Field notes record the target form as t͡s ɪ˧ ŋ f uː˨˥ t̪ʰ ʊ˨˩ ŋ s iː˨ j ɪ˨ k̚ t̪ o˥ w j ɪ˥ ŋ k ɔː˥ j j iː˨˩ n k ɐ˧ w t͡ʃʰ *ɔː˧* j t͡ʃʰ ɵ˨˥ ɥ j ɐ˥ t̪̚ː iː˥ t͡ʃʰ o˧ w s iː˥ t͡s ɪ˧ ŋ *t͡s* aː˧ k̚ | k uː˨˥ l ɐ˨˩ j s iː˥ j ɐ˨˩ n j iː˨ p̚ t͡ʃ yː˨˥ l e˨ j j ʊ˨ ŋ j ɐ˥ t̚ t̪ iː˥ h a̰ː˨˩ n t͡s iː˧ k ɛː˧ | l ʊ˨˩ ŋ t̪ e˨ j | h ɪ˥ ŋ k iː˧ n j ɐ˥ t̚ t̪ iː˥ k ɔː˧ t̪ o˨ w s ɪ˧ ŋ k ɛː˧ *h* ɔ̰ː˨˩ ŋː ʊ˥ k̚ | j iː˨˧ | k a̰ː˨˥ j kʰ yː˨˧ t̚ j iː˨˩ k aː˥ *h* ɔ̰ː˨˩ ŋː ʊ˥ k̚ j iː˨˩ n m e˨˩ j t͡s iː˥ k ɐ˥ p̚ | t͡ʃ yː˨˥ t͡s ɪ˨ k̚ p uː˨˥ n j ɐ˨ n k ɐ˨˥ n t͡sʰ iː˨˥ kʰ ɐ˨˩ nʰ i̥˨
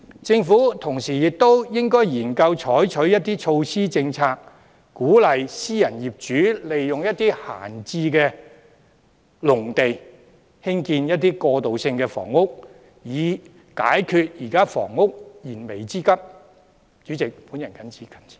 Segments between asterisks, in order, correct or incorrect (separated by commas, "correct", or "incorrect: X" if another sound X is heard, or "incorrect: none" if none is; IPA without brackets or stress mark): incorrect: ɔː˨˥, incorrect: t͡sʰ, incorrect: f, incorrect: f